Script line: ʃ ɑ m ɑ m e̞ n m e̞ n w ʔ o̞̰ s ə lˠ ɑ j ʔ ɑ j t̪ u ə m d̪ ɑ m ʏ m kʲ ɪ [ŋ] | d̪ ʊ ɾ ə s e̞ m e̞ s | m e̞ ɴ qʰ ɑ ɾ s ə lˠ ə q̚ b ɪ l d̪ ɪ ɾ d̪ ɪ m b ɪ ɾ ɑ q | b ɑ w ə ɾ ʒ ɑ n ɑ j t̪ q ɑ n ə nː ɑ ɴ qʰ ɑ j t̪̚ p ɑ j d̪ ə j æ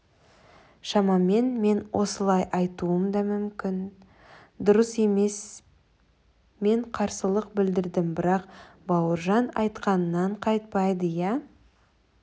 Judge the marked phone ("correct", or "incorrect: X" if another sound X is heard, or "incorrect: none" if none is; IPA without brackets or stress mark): incorrect: n